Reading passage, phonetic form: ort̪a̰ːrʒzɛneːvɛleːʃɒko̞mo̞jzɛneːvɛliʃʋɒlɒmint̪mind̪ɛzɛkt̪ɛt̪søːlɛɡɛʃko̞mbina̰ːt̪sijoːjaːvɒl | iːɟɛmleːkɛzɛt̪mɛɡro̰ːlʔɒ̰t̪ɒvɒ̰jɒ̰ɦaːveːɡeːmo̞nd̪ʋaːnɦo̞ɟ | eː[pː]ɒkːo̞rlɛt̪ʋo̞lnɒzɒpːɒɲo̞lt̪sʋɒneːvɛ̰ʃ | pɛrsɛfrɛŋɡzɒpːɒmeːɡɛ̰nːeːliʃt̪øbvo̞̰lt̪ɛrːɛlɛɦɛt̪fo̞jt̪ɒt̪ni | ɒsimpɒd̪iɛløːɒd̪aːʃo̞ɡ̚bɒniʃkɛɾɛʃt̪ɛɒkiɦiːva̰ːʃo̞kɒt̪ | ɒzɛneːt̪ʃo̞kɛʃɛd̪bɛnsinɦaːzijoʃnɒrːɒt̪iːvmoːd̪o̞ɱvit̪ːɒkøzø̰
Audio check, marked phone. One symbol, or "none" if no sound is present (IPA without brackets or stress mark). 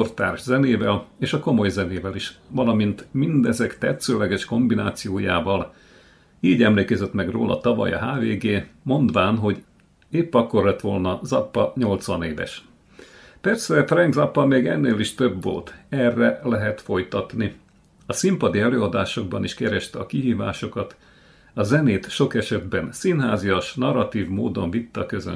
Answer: pː